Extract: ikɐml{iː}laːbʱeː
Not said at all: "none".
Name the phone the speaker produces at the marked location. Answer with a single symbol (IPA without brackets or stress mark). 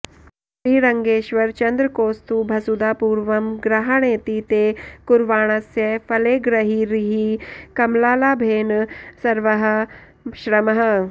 aː